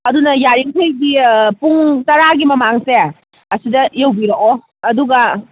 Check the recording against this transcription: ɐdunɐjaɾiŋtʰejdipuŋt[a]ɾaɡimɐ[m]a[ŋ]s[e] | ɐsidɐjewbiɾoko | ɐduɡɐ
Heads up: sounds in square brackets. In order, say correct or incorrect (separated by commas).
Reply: incorrect, correct, correct, correct